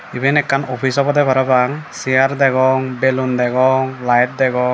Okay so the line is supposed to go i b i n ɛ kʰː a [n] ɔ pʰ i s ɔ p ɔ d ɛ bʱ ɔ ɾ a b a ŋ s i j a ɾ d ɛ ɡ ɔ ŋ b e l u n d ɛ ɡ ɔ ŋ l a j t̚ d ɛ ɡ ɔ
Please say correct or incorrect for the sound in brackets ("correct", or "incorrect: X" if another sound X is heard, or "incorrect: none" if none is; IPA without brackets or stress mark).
correct